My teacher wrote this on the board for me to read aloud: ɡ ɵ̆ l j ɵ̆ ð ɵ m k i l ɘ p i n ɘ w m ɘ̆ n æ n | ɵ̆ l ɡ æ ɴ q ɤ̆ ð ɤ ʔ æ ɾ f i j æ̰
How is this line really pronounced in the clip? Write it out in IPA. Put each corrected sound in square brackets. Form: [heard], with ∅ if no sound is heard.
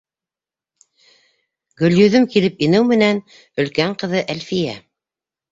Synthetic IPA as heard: ɡ ɵ̆ l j ɵ̆ ð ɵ m k i l ɘ p i n ɘ w m ɘ̆ n æ n | ɵ̆ l [k] æ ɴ q ɤ̆ ð ɤ ʔ æ [l] f i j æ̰